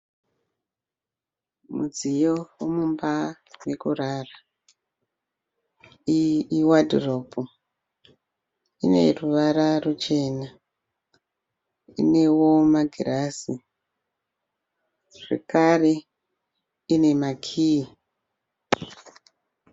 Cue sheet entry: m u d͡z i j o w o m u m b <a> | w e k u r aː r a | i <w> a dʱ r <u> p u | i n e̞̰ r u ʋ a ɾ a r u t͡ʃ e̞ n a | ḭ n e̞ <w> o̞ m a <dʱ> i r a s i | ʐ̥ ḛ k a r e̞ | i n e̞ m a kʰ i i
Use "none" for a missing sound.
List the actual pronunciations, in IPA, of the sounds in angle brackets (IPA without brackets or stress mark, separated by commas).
a, w, o, w, ɡʱ